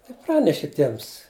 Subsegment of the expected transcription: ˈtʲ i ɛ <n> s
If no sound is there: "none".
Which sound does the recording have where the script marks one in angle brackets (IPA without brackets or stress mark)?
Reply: m